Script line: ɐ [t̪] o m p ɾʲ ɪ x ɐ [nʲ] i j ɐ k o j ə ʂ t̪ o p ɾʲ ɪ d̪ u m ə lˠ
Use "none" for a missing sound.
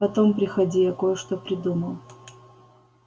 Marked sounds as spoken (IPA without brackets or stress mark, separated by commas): t̪, dʲ